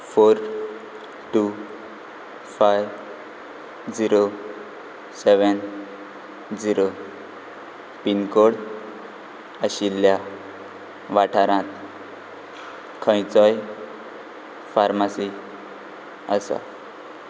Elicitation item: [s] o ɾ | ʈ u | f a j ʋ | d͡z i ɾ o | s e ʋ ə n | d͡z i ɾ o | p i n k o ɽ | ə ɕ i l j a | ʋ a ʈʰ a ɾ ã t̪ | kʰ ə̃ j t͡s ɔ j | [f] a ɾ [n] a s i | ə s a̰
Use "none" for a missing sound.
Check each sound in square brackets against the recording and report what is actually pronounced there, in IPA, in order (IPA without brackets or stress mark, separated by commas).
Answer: f, f, m